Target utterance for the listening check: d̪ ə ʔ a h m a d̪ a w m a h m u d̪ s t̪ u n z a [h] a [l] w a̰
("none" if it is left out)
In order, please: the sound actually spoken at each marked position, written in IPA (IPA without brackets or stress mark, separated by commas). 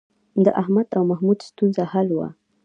h, l